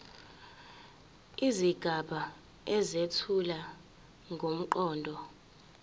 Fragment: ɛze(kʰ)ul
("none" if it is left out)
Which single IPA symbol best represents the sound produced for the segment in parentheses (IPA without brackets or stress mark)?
tʰ